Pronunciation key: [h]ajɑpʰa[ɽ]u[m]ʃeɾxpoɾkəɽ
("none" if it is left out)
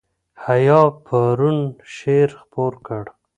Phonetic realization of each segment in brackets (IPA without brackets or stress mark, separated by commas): h, ɾ, n